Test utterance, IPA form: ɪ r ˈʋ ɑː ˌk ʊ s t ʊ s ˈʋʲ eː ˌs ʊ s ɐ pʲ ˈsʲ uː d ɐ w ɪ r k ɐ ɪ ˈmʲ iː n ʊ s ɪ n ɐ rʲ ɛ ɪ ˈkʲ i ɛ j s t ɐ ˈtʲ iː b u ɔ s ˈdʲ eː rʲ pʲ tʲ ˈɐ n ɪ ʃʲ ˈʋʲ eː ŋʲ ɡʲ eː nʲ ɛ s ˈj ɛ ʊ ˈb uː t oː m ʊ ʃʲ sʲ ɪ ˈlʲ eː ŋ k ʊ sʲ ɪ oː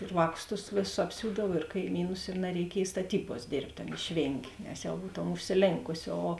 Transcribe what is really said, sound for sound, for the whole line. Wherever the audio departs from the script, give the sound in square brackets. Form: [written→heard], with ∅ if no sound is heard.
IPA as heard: ɪ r ˈʋ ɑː ˌk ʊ s t ʊ s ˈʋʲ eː ˌs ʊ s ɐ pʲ ˈsʲ uː d ɐ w ɪ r k ɐ ɪ ˈmʲ iː n ʊ s ɪ n ɐ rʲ ɛ ɪ ˈkʲ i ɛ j s t ɐ ˈtʲ iː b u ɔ s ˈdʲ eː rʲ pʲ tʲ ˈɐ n ɪ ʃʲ ˈʋʲ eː ŋʲ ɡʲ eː nʲ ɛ s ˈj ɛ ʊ ˈb uː t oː m ʊ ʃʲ sʲ ɪ ˈlʲ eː ŋ k ʊ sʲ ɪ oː